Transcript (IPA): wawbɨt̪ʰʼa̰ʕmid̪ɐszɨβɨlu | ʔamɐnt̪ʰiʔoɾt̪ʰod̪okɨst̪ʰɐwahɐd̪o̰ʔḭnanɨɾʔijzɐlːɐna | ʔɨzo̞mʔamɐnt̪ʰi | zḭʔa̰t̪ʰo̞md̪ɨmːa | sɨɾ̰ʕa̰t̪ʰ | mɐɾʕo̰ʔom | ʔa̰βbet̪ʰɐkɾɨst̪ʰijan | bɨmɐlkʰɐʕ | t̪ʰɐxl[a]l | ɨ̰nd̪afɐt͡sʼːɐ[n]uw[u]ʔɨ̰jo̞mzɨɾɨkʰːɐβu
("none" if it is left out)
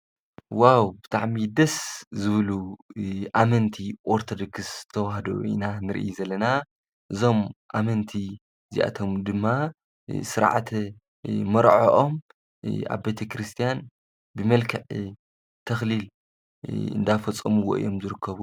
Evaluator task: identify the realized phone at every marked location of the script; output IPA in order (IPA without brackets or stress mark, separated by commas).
i, m, o